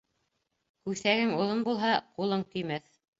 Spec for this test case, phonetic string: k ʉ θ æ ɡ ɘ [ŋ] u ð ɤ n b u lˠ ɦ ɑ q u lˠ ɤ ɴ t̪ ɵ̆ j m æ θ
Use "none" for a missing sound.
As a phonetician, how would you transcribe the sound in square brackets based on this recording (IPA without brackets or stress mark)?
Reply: ŋ